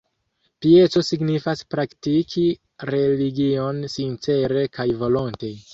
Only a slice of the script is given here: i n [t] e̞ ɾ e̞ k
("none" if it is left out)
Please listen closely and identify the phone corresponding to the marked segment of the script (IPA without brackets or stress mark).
t͡s